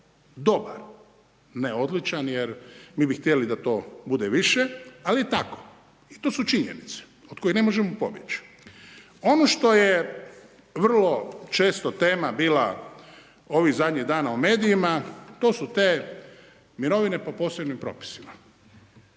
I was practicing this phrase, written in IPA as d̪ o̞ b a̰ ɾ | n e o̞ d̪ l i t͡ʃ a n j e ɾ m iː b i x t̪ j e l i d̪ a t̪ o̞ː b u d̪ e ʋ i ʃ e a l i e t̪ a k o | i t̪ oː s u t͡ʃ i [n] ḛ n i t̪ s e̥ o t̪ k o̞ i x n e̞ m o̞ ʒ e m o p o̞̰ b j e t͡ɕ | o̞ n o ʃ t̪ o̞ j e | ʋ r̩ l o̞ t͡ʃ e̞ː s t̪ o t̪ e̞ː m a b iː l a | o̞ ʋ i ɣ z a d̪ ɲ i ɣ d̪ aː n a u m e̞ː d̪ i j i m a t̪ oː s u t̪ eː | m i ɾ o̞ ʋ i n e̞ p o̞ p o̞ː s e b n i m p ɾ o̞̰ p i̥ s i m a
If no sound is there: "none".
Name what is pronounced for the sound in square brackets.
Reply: ɲ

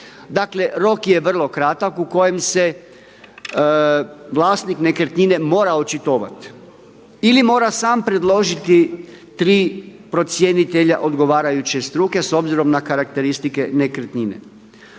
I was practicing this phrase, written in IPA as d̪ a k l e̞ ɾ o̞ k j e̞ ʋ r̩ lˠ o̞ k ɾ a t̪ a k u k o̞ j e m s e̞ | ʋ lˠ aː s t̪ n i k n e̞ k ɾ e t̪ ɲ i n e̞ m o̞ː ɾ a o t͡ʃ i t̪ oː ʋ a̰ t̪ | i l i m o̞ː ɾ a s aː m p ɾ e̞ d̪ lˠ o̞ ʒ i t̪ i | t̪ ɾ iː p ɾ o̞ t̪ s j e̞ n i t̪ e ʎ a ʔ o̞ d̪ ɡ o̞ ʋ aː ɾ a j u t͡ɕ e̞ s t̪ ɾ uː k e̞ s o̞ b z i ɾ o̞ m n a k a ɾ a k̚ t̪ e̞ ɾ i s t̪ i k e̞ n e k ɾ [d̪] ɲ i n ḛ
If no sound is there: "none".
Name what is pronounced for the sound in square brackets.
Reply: t̪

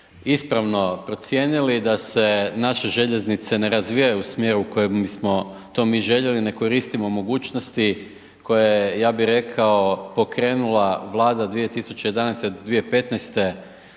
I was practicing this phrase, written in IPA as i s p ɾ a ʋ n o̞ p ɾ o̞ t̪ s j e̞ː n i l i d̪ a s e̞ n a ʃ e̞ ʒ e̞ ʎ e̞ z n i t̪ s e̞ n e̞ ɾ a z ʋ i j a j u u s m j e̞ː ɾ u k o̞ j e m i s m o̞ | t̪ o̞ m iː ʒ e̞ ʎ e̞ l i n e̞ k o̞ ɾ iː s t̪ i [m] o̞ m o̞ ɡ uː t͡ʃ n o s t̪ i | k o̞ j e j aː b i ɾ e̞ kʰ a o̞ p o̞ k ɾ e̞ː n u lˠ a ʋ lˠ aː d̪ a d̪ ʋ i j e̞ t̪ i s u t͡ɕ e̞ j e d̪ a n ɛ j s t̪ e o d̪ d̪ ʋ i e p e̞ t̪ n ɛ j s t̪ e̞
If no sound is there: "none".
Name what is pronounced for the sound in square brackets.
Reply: m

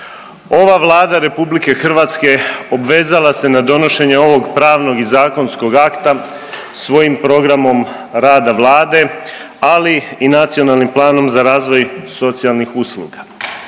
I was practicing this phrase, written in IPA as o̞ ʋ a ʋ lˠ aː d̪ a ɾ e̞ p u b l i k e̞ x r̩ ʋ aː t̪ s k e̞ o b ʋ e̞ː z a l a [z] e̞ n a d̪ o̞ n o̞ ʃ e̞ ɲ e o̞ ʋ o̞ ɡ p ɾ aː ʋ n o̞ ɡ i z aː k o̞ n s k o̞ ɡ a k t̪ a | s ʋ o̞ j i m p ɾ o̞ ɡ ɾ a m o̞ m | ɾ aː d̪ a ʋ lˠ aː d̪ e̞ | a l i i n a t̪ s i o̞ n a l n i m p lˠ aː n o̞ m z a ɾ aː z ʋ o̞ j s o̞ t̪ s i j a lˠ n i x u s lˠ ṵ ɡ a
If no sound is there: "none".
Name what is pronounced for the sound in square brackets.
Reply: s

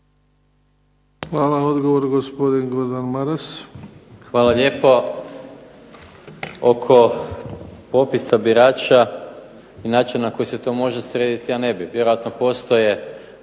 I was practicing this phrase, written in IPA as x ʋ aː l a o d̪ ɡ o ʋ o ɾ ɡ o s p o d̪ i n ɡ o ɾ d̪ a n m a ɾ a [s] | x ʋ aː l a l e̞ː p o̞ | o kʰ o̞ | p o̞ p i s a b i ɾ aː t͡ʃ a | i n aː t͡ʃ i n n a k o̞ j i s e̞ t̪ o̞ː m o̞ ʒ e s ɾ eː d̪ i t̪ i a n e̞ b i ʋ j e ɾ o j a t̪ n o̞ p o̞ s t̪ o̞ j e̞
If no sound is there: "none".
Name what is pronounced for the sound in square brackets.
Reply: s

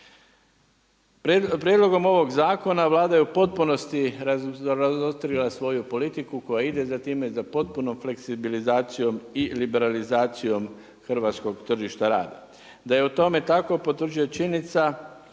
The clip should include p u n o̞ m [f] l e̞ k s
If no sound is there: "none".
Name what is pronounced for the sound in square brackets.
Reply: f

